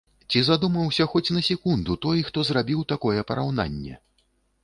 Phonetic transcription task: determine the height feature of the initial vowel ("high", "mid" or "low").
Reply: high